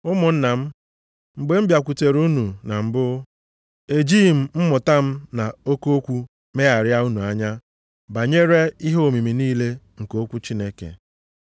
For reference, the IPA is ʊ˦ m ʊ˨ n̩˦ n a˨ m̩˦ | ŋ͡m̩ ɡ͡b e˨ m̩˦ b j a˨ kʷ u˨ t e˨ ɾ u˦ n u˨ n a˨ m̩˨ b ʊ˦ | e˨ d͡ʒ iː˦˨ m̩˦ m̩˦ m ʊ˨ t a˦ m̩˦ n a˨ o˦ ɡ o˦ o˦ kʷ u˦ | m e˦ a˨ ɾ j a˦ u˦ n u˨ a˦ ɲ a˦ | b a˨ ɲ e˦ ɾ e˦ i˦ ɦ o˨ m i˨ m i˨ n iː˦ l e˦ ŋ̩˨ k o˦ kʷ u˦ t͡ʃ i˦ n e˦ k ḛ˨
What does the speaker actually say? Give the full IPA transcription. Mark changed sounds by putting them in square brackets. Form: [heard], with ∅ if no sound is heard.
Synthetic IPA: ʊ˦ m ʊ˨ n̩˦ n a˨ m̩˦ | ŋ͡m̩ ɡ͡b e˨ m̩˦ b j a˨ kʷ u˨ t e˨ ɾ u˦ n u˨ n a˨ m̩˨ b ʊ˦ | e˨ d͡ʒ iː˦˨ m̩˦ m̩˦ m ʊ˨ t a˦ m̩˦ n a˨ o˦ [k] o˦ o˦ kʷ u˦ | m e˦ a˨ ɾ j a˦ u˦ n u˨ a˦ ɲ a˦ | b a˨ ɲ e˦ ɾ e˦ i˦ ɦ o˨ m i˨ m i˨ n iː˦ l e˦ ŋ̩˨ k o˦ kʷ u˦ t͡ʃ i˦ n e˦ k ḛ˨